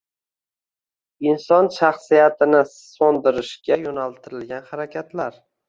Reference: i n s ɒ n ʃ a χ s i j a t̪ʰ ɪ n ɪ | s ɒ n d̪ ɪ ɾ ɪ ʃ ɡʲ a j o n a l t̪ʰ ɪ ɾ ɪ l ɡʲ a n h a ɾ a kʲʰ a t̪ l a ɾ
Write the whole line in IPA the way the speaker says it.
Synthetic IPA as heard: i n s ɒ n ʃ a χ s i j a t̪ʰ ɪ n ɪ | s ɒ n d̪ ɪ ɾ ɪ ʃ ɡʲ a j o n a l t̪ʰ ɪ ɾ ɪ l ɡʲ a n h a ɾ a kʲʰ a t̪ l a ɾ